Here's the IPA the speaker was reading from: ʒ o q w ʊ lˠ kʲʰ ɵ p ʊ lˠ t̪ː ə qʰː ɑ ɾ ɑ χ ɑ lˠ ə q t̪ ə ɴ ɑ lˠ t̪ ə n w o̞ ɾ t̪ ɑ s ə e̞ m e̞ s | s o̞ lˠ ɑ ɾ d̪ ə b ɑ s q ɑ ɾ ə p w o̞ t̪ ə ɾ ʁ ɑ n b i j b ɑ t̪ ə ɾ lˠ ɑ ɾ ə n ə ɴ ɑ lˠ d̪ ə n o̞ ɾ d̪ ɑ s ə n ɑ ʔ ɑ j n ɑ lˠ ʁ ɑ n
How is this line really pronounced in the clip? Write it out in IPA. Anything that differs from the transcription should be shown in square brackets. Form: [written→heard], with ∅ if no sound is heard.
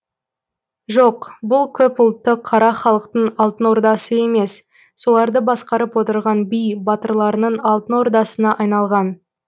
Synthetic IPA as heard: ʒ o q [w→b] ʊ lˠ kʲʰ ɵ p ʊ lˠ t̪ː ə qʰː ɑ ɾ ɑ χ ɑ lˠ ə q t̪ ə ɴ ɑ lˠ t̪ ə n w o̞ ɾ [t̪→d̪] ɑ s ə e̞ m e̞ s | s o̞ lˠ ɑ ɾ d̪ ə b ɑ s q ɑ ɾ ə p w o̞ t̪ ə ɾ ʁ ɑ n b i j b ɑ t̪ ə ɾ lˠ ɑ ɾ ə n ə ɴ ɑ lˠ [d̪→t̪] ə n o̞ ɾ d̪ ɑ s ə n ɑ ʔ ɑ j n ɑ lˠ ʁ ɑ n